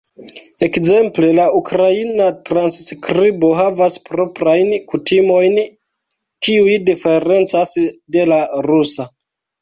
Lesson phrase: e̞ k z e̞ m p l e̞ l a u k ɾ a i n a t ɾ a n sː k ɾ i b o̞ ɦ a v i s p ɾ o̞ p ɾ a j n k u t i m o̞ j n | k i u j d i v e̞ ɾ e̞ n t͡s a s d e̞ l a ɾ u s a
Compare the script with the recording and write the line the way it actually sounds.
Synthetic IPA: e̞ k z e̞ m p l e̞ l a u k ɾ a i n a t ɾ a n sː k ɾ i b o̞ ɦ a v a s p ɾ o̞ p ɾ a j n k u t i m o̞ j n | k i u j d i f e̞ ɾ e̞ n t͡s a s d e̞ l a ɾ u s a